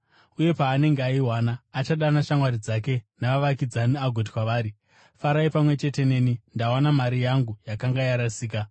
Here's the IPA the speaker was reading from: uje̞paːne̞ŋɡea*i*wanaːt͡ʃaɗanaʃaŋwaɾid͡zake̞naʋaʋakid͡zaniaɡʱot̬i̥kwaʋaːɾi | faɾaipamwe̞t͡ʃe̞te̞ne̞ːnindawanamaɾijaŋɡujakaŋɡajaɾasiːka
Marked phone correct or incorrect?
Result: correct